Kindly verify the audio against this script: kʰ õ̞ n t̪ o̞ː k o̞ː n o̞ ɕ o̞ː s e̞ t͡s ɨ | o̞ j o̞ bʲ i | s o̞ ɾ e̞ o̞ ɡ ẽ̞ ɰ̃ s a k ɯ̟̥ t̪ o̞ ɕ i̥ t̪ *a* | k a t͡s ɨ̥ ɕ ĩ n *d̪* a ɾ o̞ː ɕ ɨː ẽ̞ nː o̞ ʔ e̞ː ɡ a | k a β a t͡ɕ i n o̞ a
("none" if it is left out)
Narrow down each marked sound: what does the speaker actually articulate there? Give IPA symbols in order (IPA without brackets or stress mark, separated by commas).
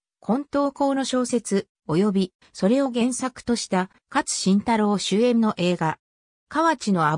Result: a, t̪